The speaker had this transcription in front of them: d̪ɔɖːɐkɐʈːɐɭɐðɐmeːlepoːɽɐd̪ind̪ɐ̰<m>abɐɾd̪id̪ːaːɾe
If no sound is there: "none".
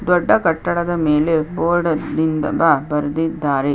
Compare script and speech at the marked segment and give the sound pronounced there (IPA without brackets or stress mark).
b